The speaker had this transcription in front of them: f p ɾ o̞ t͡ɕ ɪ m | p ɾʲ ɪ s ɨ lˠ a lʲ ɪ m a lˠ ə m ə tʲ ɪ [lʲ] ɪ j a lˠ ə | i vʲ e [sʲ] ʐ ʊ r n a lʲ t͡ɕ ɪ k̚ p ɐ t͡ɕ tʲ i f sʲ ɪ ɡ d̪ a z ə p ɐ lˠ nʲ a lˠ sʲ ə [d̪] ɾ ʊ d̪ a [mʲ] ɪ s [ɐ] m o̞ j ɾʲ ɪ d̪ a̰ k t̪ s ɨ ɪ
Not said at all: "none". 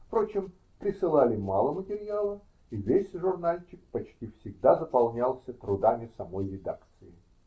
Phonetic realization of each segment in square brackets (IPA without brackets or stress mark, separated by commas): ɾʲ, sʲ, t̪, mʲ, ɐ